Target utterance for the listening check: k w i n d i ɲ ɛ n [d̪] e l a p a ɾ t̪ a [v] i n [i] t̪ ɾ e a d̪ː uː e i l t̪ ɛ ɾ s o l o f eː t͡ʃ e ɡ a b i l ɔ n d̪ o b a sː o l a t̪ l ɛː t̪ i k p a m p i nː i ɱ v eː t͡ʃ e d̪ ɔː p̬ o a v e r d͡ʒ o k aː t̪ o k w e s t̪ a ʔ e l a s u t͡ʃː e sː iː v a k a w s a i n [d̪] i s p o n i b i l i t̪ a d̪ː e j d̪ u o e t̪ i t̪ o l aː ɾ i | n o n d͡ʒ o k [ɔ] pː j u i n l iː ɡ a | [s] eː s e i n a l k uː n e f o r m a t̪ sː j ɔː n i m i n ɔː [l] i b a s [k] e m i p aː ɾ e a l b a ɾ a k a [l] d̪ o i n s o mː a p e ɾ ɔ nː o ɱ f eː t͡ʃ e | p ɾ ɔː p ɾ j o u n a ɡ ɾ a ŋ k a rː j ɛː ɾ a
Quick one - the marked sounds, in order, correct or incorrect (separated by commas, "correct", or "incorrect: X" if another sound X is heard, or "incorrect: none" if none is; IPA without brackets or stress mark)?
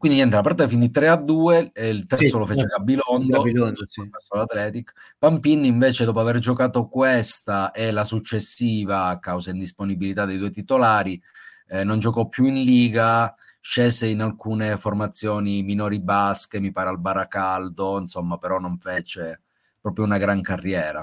incorrect: t̪, incorrect: f, correct, correct, correct, incorrect: ʃ, incorrect: ɾ, correct, correct